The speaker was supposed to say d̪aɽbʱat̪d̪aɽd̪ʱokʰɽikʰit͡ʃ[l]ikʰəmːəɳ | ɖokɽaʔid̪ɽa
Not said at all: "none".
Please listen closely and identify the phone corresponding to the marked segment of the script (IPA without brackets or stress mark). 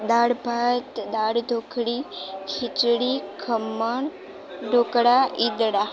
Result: ɽ